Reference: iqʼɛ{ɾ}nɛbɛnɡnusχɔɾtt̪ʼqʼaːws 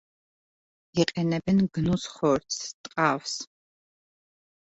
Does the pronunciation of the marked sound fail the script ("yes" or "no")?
yes